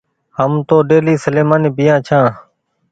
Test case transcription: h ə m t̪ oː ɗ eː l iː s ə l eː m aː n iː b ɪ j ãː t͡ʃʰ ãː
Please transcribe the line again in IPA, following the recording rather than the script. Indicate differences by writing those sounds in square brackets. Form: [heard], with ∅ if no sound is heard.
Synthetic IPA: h ə m t̪ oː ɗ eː l iː s ə l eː m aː n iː b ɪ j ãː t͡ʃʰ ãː